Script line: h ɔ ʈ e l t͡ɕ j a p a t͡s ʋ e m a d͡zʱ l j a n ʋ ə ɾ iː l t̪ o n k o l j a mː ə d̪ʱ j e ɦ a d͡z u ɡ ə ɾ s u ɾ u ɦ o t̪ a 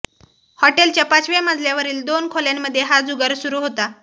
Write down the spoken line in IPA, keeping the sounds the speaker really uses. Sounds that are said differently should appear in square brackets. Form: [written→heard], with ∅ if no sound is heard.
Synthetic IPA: h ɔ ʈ e l t͡ɕ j a p a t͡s ʋ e m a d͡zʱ l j a [n→∅] ʋ ə ɾ iː l [t̪→d̪] o n [k→kʰ] o l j a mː ə d̪ʱ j e ɦ a d͡z u ɡ ə ɾ s u ɾ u ɦ o t̪ a